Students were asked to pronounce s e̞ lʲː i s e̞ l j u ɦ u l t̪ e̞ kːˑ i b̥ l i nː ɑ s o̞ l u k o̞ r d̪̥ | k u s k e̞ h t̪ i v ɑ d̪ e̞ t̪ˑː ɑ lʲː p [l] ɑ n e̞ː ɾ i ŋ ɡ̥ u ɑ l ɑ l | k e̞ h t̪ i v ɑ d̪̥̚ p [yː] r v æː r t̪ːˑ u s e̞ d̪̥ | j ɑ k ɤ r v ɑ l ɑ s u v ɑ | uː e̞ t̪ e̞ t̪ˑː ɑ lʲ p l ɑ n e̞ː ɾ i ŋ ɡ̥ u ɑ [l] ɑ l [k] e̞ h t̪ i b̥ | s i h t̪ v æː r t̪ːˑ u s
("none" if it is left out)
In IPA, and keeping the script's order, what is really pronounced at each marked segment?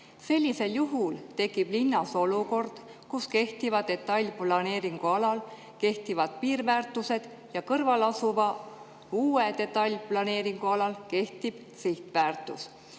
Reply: l, iː, l, k

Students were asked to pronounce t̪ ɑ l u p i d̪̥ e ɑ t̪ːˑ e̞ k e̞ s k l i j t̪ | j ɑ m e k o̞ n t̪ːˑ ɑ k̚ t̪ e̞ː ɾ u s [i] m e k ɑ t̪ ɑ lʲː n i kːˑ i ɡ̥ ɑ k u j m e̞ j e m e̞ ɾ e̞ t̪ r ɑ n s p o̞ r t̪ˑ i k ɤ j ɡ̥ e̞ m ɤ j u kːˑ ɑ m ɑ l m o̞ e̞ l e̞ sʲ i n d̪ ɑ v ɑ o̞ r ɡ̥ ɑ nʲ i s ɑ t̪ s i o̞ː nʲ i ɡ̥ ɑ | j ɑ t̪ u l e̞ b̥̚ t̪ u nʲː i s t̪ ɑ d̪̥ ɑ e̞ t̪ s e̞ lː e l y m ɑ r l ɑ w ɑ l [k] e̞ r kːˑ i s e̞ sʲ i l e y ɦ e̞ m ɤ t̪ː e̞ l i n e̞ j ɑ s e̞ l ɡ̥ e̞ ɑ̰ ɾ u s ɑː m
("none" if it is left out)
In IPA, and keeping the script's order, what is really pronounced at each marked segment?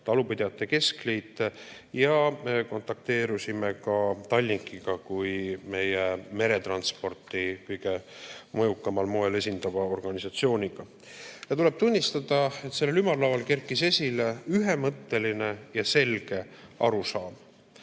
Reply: i, k

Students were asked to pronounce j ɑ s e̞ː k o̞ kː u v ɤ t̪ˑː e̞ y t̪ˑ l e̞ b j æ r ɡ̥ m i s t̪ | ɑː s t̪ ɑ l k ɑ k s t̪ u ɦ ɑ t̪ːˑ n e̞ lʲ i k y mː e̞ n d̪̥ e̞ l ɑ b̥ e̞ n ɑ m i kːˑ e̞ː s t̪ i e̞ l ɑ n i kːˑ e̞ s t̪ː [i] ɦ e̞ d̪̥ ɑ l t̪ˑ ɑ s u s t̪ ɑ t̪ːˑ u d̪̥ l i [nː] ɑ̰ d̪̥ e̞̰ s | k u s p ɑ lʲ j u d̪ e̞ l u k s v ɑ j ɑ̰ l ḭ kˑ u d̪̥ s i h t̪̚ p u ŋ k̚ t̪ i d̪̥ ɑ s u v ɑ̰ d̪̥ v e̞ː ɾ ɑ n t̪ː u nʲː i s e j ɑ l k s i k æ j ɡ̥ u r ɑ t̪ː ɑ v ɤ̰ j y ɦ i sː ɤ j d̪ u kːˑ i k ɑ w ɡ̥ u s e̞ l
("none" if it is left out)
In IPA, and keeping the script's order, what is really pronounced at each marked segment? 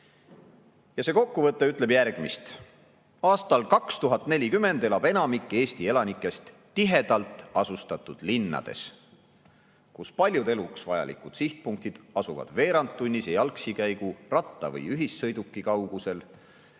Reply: i, nː

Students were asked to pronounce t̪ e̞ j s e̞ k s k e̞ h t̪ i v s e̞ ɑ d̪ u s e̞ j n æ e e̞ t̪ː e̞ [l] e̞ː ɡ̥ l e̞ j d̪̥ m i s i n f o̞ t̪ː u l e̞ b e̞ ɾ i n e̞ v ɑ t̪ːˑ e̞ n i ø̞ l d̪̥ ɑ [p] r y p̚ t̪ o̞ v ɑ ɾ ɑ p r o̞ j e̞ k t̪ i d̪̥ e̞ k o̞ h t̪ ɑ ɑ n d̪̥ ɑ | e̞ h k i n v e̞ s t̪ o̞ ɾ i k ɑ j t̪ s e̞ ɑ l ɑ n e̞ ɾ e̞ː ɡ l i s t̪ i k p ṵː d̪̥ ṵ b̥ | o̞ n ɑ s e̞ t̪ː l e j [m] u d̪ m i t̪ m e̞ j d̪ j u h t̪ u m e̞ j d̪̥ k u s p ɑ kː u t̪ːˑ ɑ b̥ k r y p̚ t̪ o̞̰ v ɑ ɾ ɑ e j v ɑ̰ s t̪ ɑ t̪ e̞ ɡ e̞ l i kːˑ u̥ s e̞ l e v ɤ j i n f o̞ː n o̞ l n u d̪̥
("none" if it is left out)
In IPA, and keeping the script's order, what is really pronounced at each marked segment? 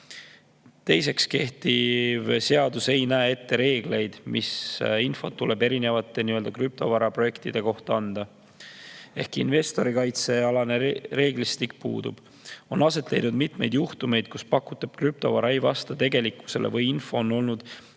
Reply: ɾ, k, n

